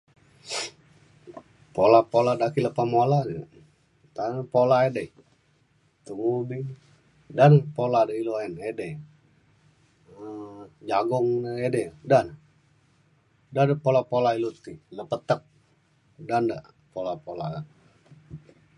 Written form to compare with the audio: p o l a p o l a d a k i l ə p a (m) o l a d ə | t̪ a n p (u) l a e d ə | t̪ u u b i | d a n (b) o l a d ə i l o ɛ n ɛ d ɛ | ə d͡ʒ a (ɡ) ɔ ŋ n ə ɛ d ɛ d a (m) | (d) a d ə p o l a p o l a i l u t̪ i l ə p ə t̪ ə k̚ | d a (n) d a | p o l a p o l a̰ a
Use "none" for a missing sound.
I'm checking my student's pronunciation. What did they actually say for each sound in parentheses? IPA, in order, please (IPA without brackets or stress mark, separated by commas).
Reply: m, o, p, ɡ, n, d, n